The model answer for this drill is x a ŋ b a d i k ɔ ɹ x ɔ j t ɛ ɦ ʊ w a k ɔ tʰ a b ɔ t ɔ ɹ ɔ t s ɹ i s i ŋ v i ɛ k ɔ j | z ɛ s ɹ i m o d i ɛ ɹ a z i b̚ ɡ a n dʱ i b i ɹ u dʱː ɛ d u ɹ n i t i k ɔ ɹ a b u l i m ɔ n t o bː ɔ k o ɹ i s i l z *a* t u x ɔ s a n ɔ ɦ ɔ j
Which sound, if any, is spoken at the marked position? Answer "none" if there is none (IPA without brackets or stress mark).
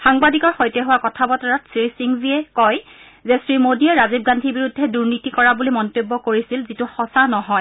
i